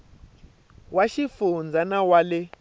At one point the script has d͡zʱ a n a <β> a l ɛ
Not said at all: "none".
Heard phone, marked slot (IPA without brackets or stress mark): w